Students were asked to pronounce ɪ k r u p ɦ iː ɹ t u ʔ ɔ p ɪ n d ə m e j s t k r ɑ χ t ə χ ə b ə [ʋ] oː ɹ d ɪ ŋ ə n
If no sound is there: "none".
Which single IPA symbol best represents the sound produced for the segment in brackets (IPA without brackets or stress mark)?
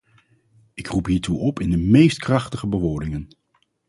ʋ